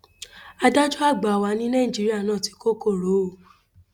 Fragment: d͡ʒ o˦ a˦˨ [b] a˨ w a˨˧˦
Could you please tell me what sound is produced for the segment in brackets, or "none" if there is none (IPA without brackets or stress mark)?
ɡ͡b